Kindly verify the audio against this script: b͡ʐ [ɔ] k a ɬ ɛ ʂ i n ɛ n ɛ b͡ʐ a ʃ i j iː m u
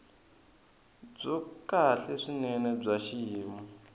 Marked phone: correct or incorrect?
correct